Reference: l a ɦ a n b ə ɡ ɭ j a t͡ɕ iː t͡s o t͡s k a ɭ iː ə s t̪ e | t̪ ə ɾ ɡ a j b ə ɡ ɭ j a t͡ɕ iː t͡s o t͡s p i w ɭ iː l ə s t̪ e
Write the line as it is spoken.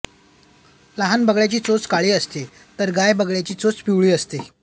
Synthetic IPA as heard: l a ɦ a n b ə ɡ ɭ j a t͡ɕ iː t͡s o t͡s k a ɭ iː ə s t̪ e | t̪ ə ɾ ɡ a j b ə ɡ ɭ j a t͡ɕ iː t͡s o t͡s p i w ɭ iː ə s t̪ e